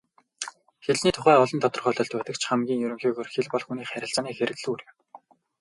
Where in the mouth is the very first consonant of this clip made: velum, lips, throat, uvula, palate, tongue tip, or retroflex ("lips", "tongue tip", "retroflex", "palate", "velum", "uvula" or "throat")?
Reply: velum